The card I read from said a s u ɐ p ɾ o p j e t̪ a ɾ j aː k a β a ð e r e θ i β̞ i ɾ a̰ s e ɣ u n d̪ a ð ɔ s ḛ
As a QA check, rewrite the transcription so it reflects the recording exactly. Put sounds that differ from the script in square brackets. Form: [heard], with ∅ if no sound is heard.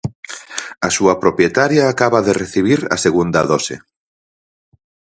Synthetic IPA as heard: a s u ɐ p ɾ o p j e t̪ a ɾ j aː k a β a ð e r e θ i β̞ i ɾ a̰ s e ɣ u n d̪ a ð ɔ s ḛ